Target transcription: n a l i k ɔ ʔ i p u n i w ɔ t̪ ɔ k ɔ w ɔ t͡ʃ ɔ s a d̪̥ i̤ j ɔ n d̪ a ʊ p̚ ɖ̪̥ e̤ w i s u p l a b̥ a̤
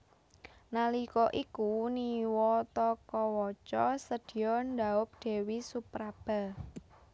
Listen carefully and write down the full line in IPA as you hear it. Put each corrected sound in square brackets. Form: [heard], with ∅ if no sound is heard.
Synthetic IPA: n a l i k ɔ ʔ i [k] u n i w ɔ t̪ ɔ k ɔ w ɔ t͡ʃ ɔ s [ə] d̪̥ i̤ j ɔ n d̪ a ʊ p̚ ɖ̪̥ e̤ w i s u p [ɾ] a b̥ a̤

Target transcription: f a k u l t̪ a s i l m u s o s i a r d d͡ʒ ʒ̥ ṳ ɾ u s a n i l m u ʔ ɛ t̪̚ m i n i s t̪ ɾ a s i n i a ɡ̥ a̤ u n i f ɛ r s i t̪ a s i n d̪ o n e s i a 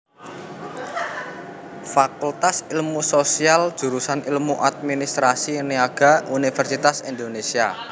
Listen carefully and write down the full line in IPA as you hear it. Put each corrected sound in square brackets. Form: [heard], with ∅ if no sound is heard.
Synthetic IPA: f a k u l t̪ a s i l m u s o s i a [l] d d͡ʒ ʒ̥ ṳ ɾ u s a n i l m u ʔ [a] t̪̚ m i n i s t̪ ɾ a s i n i a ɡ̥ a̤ u n i f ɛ r s i t̪ a s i n d̪ o n e s i a

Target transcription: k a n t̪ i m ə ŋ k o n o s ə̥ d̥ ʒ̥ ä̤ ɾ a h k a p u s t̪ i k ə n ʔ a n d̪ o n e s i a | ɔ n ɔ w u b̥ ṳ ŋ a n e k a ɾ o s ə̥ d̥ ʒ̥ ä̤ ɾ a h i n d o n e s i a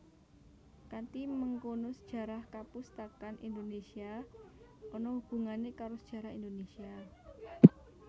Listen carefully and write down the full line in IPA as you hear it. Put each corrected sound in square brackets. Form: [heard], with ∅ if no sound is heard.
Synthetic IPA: k a n t̪ i m ə ŋ k o n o s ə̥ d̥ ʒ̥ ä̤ ɾ a h k a p u s t̪ [a] k [a] n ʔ [i] n d̪ o n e s i a | ɔ n ɔ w u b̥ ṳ ŋ a n e k a ɾ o s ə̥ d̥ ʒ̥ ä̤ ɾ a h i n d o n e s i a

